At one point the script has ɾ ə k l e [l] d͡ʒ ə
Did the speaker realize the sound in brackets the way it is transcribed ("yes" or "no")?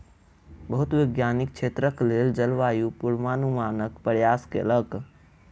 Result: yes